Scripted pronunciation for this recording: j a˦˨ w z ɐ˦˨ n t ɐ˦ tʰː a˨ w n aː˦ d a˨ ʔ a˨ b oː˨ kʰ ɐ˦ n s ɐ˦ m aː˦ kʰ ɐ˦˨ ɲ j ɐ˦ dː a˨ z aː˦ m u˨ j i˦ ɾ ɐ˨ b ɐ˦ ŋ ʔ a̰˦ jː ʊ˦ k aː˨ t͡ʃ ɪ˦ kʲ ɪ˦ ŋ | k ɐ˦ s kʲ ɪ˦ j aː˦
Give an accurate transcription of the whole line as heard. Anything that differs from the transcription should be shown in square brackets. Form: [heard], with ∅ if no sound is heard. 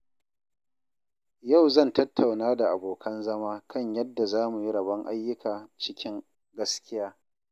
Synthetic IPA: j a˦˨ w z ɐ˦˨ n t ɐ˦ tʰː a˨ w n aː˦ d a˨ ʔ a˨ b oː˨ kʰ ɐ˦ n [z] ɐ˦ m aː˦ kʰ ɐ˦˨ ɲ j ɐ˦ dː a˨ z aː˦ m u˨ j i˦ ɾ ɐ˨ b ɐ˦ ŋ ʔ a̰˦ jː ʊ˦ k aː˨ t͡ʃ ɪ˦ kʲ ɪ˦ ŋ | [ɡ] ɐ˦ s kʲ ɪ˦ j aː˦